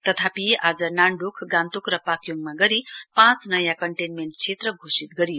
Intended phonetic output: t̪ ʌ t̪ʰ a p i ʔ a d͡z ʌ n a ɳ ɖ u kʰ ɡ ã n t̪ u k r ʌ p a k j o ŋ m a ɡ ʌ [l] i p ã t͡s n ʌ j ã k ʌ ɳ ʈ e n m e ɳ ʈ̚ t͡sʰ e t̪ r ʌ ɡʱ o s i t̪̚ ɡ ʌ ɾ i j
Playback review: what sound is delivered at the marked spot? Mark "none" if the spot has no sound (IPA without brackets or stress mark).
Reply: ɾ